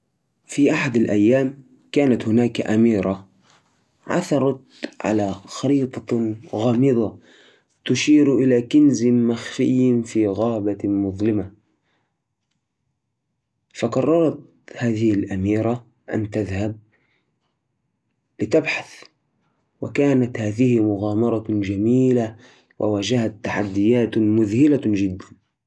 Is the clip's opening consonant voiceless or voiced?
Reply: voiceless